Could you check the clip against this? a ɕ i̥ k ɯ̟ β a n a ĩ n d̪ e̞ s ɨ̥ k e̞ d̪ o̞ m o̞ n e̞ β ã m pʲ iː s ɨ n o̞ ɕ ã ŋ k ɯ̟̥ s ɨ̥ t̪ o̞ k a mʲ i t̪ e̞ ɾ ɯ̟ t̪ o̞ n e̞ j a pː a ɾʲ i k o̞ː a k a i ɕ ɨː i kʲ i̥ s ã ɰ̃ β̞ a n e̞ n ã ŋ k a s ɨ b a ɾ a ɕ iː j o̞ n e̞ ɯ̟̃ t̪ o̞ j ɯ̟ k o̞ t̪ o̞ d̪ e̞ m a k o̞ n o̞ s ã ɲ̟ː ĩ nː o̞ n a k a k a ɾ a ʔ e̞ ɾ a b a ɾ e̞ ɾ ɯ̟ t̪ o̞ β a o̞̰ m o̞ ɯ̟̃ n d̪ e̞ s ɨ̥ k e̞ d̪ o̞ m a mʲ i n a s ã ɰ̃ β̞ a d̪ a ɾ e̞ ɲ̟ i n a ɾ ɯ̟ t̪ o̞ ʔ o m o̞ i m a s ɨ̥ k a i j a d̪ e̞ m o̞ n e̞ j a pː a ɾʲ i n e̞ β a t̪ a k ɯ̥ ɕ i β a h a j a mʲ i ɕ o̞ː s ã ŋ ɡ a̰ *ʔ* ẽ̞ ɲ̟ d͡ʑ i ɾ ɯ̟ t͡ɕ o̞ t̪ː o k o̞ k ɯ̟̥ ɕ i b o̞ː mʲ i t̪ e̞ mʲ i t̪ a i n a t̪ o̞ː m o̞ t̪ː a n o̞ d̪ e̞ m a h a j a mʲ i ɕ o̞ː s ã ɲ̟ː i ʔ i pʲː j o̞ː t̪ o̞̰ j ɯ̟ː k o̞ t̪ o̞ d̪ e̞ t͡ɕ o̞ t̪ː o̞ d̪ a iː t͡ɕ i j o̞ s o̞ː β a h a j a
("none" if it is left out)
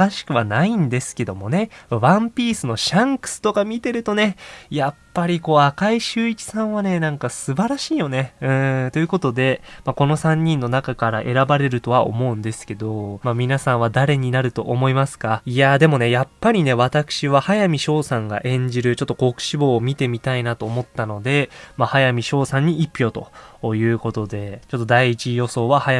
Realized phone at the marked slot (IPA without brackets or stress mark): ʔ